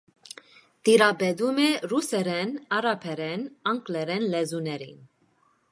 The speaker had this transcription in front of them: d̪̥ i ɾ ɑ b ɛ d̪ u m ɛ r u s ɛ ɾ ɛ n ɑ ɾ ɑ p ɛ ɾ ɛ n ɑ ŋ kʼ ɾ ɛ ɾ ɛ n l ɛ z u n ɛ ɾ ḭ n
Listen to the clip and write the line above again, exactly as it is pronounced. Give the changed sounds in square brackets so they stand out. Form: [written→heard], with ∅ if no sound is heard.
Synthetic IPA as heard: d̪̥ i ɾ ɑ b ɛ d̪ u m ɛ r u s ɛ ɾ ɛ n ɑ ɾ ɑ [p→pʰ] ɛ ɾ ɛ n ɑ ŋ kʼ [ɾ→l] ɛ ɾ ɛ n l ɛ z u n ɛ ɾ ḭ n